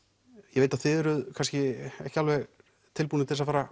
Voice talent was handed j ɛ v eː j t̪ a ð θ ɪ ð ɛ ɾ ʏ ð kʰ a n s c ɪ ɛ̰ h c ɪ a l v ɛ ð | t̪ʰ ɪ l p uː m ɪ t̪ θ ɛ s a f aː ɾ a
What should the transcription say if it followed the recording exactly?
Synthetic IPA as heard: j ɛ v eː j t̪ a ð θ ɪ ð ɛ ɾ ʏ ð kʰ a n s c ɪ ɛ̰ h c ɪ a l v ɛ ɣ | t̪ʰ ɪ l p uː n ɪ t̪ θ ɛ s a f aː ɾ a